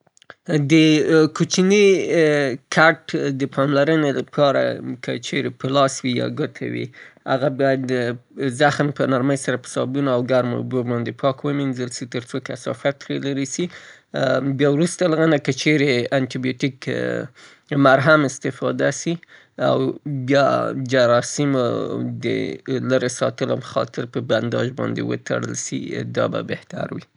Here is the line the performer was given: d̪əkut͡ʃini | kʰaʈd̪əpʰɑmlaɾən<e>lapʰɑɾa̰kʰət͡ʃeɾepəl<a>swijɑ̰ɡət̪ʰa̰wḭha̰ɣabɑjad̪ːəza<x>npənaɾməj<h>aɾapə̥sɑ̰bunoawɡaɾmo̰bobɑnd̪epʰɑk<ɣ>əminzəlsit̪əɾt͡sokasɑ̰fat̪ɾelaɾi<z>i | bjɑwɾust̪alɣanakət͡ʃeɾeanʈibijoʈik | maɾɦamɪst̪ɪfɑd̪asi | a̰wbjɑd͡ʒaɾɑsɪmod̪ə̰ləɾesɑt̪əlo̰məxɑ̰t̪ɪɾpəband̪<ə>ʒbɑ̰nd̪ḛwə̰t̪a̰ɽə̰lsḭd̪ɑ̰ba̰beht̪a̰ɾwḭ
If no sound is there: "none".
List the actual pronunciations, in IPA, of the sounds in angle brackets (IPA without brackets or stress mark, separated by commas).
e, ɑ, x, s, w, s, ɑ